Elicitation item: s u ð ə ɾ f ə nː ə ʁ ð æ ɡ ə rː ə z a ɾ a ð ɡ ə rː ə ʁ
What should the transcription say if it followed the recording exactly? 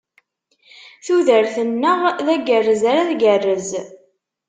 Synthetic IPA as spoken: θ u ð ə ɾ θ ə nː ə ʁ ð æ ɡ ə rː ə z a ɾ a ð ɡ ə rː ə z